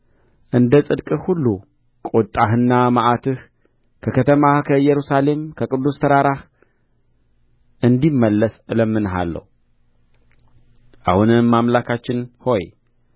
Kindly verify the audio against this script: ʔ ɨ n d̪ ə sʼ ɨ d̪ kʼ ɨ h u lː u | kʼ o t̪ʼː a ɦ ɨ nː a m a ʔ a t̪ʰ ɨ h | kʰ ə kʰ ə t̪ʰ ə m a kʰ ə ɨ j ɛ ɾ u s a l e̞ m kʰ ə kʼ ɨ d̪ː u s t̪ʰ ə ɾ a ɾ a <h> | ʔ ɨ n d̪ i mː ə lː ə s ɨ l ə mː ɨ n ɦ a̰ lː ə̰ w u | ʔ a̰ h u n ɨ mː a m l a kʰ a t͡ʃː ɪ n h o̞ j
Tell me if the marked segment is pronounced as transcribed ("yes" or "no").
yes